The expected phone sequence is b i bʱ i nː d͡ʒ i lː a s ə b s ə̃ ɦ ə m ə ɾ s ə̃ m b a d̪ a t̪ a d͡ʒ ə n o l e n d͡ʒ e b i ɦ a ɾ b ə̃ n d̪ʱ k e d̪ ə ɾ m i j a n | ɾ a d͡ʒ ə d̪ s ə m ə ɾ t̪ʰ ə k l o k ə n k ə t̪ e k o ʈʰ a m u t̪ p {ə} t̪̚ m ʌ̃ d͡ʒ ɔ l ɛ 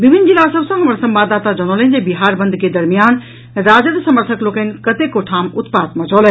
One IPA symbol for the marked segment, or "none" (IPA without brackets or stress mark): a